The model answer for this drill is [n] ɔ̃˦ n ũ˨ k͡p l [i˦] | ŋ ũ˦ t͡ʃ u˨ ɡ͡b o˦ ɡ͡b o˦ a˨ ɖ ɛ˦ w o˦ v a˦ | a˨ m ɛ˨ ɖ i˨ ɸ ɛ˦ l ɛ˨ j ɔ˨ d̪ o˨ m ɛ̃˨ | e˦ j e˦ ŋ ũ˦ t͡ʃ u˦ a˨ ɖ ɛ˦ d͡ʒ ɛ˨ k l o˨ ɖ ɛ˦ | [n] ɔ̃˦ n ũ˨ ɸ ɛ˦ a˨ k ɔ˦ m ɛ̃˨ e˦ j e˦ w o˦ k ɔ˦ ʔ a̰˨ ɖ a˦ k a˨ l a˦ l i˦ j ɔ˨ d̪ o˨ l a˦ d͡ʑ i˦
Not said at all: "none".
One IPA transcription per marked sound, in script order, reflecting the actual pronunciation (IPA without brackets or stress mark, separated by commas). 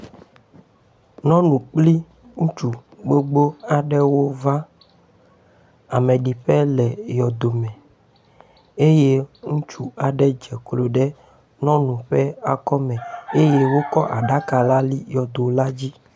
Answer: n, i˦, n